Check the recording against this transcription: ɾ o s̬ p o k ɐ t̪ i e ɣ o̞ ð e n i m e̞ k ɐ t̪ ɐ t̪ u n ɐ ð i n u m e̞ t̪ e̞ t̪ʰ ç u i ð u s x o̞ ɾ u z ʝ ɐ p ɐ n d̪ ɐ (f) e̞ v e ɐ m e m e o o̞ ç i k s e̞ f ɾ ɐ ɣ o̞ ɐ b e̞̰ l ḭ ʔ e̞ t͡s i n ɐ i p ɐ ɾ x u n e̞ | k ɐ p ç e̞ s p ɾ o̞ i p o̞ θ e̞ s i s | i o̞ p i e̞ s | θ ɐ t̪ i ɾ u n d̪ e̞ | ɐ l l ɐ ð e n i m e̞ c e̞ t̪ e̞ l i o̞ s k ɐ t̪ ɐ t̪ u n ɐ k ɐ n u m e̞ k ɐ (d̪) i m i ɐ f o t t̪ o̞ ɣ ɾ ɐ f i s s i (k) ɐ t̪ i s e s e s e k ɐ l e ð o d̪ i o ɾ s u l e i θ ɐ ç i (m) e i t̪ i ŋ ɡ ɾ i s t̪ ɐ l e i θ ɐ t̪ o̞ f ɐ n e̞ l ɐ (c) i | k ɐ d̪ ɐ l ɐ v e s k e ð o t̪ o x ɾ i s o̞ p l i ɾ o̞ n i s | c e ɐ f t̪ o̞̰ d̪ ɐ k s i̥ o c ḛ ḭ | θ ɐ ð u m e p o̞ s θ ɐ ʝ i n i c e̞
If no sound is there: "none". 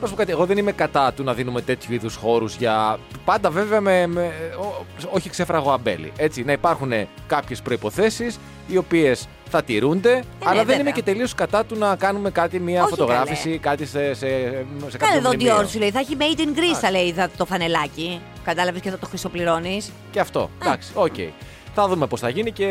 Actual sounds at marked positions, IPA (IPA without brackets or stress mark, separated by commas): v, t̪, k, m, c